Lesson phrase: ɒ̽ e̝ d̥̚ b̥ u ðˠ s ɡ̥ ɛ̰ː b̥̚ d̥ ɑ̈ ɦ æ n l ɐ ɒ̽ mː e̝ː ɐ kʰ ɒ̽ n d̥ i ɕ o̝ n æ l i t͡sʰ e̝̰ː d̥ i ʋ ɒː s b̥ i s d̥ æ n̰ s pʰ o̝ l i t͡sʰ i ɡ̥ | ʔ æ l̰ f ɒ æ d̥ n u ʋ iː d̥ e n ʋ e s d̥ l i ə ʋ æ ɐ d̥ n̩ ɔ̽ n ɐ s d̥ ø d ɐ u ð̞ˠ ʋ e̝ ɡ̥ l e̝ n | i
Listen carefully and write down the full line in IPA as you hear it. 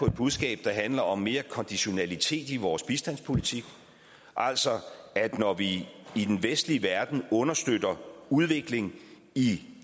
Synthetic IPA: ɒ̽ e̝ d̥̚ b̥ u ðˠ s ɡ̥ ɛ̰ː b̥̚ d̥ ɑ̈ ɦ æ n l ɐ ɒ̽ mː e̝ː ɐ kʰ ɒ̽ n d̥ i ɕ o̝ n æ l i t͡sʰ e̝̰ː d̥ i ʋ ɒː s b̥ i s d̥ æ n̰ s pʰ o̝ l i t͡sʰ i ɡ̥ | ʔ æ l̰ s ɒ æ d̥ n ɒ ʋ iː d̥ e n ʋ e s d̥ l i ə ʋ æ ɐ d̥ n̩ ɔ̽ n ɐ s d̥ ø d ɐ u ð̞ˠ ʋ e̝ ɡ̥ l e̝ ŋ | i